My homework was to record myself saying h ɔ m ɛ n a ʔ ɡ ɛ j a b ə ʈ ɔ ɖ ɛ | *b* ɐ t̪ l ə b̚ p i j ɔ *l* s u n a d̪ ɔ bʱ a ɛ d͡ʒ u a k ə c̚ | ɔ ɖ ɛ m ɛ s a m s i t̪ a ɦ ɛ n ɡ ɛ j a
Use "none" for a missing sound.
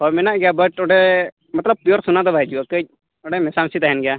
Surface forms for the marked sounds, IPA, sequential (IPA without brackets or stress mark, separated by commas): m, ɾ